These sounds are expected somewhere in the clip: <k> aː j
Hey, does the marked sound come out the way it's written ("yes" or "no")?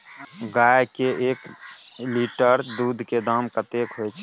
no